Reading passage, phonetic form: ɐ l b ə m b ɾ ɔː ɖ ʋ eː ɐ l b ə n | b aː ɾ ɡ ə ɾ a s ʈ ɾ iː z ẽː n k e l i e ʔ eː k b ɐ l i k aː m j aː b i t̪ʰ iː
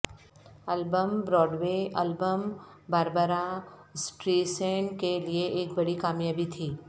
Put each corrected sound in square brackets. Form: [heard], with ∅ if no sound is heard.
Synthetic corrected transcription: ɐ l b ə m b ɾ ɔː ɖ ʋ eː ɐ l b ə [m] | b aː ɾ [b] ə ɾ a s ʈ ɾ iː [s] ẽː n k e l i e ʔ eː k b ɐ [ɽ] i k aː m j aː b i t̪ʰ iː